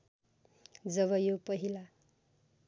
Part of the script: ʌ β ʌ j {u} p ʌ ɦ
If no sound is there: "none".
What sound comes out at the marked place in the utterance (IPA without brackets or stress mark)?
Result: o